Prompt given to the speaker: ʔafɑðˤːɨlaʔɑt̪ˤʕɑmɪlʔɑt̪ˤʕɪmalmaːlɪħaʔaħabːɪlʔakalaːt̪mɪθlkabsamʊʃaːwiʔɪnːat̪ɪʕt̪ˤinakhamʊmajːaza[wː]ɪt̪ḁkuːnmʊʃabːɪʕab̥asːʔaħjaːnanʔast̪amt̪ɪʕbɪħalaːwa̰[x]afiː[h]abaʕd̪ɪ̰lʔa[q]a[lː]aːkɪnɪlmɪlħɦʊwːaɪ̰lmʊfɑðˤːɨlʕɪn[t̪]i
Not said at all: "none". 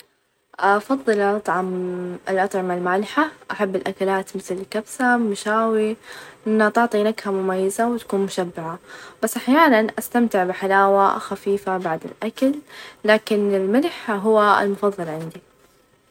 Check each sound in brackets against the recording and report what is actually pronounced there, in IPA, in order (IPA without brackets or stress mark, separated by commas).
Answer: w, x, f, k, lː, d̪